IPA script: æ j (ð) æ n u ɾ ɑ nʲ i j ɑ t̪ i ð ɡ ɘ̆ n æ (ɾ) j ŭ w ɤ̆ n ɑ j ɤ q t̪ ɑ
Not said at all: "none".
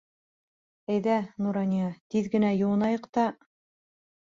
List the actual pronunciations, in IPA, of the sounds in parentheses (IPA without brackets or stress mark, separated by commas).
ð, none